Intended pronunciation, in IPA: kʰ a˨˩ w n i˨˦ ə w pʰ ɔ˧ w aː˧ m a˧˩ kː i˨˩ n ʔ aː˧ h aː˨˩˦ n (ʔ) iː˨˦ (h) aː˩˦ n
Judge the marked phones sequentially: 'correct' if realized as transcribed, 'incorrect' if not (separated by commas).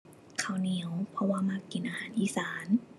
correct, incorrect